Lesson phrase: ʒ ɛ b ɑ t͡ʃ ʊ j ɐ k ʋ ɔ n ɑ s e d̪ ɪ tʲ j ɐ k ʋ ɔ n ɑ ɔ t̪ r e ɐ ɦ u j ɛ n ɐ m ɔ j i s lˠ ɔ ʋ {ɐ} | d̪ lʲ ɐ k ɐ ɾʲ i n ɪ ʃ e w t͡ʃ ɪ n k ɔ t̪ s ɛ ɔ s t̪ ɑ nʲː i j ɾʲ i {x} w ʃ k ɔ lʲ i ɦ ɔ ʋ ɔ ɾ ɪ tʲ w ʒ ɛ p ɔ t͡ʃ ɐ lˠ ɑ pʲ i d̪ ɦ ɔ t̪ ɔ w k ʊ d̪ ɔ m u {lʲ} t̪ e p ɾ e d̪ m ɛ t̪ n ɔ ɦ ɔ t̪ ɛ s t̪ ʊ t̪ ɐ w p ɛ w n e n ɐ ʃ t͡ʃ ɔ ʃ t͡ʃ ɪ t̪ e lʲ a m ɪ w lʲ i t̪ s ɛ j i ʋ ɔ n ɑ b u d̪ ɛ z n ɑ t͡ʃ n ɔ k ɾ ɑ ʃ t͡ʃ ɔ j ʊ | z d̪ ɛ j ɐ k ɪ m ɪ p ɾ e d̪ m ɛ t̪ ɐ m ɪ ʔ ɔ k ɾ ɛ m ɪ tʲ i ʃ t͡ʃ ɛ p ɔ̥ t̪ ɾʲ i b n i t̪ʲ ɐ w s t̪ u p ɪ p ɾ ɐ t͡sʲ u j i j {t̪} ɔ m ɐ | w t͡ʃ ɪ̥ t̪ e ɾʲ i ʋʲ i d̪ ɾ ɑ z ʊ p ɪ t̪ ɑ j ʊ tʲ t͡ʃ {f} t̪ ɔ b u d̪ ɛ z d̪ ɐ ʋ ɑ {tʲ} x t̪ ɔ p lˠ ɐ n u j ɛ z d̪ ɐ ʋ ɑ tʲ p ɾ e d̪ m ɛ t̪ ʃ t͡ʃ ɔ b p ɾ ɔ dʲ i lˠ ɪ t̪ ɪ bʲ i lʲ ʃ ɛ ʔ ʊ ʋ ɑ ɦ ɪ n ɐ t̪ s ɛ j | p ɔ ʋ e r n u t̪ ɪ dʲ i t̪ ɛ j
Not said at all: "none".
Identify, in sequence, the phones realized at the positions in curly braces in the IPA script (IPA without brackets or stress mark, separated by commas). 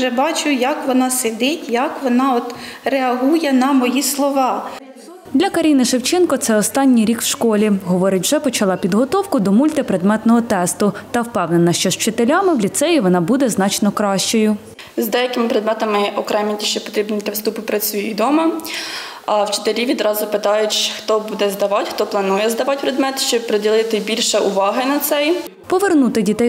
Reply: ɑ, k, lʲ, d̪, x, tʲ